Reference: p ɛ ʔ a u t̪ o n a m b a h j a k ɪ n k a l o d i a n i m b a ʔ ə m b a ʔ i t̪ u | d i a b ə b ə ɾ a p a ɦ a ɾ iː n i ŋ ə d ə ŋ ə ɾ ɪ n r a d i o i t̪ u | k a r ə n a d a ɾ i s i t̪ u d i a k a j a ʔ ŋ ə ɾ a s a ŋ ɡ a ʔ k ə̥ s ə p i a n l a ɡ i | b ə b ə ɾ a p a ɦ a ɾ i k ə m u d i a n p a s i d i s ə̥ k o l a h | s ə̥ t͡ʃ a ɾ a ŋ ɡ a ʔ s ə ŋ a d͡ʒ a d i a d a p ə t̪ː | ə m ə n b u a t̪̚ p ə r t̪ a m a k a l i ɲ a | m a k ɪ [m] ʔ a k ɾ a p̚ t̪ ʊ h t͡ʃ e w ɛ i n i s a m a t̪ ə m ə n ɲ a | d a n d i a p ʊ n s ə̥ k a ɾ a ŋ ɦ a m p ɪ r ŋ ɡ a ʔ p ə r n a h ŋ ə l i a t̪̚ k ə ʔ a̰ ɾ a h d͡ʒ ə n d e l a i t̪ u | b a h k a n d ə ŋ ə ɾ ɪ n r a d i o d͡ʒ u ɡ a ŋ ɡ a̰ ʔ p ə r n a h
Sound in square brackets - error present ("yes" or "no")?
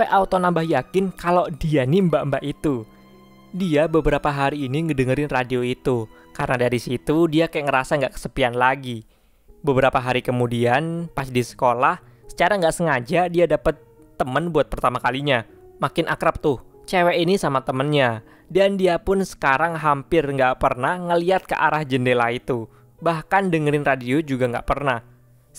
yes